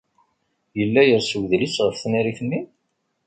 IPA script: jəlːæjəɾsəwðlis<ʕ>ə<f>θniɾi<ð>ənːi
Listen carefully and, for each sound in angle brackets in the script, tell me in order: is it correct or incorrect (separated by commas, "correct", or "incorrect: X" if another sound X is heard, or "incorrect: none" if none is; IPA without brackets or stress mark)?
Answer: incorrect: ʁ, correct, incorrect: θ